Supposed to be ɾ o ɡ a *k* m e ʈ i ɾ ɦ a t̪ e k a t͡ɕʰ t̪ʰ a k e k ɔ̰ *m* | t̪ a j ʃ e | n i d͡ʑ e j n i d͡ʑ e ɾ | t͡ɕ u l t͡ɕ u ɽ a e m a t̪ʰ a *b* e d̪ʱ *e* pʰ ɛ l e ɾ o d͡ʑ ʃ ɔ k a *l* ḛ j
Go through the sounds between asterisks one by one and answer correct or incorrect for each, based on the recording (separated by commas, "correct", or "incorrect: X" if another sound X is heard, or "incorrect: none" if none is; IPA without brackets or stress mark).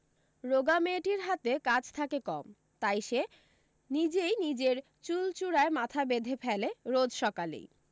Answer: incorrect: none, correct, correct, correct, correct